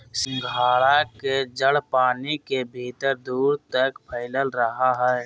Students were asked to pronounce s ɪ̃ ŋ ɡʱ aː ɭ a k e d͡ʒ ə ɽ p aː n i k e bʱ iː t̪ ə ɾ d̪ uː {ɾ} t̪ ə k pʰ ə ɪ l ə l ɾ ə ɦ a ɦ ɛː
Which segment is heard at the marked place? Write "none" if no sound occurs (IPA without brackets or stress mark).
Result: ɾ